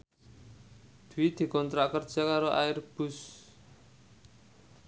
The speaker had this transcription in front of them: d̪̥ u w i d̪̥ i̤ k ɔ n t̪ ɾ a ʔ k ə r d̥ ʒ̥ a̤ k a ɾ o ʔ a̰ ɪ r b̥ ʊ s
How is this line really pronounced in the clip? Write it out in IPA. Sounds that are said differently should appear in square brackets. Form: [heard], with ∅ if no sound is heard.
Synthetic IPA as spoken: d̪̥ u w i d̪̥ i̤ k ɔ n t̪ ɾ a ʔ k ə r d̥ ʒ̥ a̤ k a ɾ o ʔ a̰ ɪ r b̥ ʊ s